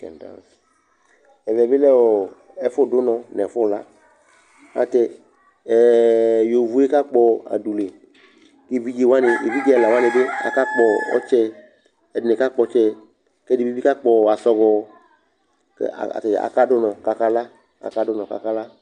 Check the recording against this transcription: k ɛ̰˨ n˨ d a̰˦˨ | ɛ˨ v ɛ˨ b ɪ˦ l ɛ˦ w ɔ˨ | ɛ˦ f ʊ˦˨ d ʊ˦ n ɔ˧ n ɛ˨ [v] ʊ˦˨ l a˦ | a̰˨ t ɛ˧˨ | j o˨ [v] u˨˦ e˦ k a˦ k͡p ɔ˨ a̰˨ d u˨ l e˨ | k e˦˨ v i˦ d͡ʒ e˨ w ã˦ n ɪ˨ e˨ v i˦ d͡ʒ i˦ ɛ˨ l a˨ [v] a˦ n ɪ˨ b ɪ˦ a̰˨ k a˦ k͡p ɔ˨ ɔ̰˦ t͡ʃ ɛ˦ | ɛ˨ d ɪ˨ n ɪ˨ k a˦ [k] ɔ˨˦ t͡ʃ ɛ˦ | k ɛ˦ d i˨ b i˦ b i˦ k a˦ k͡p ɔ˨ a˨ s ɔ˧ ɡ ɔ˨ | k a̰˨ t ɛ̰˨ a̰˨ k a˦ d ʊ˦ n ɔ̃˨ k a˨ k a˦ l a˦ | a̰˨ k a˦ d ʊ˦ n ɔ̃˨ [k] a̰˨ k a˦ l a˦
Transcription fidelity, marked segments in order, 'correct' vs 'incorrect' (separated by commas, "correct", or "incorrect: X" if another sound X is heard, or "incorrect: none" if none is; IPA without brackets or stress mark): incorrect: f, correct, incorrect: w, incorrect: k͡p, correct